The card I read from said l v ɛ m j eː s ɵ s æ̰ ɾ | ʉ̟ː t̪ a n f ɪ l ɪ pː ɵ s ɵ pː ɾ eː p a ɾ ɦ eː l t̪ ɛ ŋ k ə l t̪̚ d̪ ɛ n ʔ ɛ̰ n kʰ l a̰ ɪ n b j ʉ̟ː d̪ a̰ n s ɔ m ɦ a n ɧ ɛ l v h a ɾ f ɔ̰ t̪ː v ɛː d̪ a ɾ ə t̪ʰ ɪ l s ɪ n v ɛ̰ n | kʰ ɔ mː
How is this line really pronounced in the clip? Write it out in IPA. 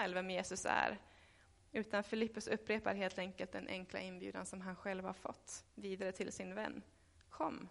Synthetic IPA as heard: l v ɛ m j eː s ɵ s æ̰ ɾ | ʉ̟ː t̪ a n f ɪ l ɪ pː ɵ s ɵ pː ɾ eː p a ɾ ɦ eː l t̪ ɛ ŋ k ə l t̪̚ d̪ ɛ n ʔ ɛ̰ ŋ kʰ l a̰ ɪ n b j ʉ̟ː d̪ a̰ n s ɔ m ɦ a n ɧ ɛ l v h a ɾ f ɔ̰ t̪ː v iː d̪ a ɾ ə t̪ʰ ɪ l s ɪ n v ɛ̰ nː | kʰ ɔ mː